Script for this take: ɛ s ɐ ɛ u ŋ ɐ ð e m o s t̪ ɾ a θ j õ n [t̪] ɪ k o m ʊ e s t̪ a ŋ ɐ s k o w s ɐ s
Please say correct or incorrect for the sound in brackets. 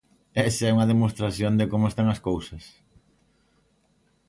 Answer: incorrect